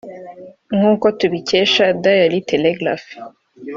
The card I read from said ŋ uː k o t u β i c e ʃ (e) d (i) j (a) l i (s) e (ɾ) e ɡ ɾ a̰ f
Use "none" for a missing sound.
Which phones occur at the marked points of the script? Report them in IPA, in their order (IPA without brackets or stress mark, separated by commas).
a, a, a, t, l